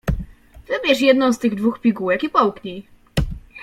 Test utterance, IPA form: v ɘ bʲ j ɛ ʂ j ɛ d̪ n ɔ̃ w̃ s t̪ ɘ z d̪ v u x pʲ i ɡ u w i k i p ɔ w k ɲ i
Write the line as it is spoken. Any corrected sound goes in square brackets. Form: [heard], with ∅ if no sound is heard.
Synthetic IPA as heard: v ɘ bʲ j ɛ ʂ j ɛ d̪ n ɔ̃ w̃ s t̪ ɘ [ɣ] d̪ v u x pʲ i ɡ u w [ɛ] k i p ɔ w k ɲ i